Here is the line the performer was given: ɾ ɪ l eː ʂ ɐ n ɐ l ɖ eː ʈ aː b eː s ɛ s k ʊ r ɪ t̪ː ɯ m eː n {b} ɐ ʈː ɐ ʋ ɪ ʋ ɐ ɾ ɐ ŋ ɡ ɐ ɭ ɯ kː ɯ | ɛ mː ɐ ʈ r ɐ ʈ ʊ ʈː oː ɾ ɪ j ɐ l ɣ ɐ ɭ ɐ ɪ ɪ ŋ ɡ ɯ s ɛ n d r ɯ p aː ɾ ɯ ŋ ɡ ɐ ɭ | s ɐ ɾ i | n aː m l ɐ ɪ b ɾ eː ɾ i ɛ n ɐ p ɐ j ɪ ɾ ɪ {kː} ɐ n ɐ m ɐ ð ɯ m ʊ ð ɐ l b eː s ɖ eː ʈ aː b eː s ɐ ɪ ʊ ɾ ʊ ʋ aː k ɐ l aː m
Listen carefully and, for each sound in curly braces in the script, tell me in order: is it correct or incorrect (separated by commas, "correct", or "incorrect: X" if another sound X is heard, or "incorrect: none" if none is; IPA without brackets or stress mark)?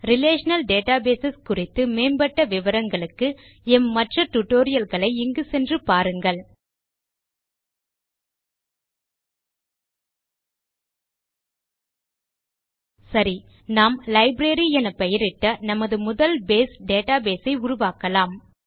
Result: correct, incorrect: ʈː